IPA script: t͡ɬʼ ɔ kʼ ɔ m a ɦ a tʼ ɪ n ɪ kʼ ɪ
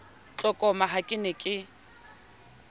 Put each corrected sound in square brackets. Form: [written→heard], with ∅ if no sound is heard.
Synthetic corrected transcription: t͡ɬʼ ɔ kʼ ɔ m a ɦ a [tʼ→kʼ] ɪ n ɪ kʼ ɪ